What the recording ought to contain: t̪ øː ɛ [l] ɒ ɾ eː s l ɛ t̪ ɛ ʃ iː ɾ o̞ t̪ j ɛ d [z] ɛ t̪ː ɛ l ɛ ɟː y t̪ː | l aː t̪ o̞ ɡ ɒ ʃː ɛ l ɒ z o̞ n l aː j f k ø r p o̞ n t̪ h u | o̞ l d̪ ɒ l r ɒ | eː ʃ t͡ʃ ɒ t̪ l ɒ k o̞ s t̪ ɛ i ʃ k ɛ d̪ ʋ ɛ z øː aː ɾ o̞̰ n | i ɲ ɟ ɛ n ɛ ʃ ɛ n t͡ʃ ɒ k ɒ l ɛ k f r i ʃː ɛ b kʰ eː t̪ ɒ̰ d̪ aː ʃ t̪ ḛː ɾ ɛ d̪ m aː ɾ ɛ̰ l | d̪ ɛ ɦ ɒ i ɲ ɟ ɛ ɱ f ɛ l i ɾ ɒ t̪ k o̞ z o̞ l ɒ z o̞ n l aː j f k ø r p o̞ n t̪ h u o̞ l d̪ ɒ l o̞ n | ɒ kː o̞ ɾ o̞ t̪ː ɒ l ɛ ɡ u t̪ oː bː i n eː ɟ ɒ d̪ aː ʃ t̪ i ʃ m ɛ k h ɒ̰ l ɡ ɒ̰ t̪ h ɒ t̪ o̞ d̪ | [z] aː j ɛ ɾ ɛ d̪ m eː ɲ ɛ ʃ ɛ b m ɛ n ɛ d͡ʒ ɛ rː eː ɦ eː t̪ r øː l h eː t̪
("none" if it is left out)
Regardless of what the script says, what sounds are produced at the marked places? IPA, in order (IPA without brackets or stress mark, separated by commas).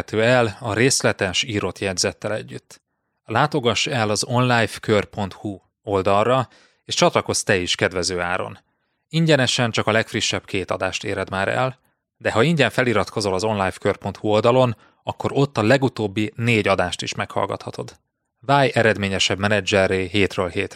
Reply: l, z, v